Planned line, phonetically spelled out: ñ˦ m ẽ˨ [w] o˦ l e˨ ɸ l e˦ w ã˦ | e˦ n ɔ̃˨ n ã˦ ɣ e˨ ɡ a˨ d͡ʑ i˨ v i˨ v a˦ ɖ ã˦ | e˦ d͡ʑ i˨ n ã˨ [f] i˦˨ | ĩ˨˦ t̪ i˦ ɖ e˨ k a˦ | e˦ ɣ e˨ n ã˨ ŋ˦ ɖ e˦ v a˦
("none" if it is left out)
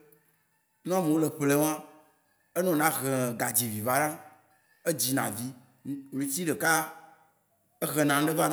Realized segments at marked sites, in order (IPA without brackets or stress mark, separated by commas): w, v